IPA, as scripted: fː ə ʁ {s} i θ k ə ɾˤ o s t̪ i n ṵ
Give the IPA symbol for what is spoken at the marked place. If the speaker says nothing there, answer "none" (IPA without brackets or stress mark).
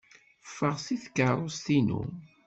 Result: s